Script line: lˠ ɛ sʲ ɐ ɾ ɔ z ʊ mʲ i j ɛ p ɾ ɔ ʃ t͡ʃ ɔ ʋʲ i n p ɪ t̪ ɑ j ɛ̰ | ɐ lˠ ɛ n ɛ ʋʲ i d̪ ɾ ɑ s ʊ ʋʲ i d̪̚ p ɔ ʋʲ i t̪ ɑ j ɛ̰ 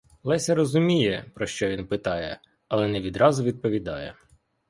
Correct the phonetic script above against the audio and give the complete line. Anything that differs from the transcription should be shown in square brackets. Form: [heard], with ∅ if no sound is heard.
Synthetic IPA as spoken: lˠ ɛ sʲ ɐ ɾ ɔ z ʊ mʲ i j ɛ p ɾ ɔ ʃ t͡ʃ ɔ ʋʲ i n p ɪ t̪ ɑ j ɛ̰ | ɐ lˠ ɛ n ɛ ʋʲ i d̪ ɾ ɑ [z] ʊ ʋʲ i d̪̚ p ɔ ʋʲ i [d̪] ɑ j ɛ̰